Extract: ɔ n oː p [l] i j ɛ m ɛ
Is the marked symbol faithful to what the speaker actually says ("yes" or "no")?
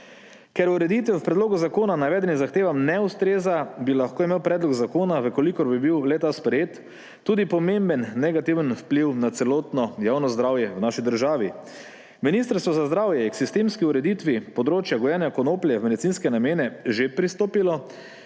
yes